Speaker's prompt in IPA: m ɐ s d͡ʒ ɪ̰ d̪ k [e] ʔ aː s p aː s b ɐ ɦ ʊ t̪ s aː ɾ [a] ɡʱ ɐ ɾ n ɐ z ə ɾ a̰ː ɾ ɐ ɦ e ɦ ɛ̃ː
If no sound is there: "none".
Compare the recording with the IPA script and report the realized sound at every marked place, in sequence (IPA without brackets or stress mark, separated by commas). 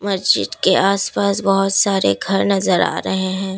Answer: e, e